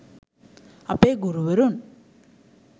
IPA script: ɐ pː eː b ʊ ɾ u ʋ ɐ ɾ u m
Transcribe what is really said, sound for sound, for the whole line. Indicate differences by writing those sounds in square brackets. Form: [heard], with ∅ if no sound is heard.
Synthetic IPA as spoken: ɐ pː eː [ɡ] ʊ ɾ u ʋ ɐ ɾ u [n]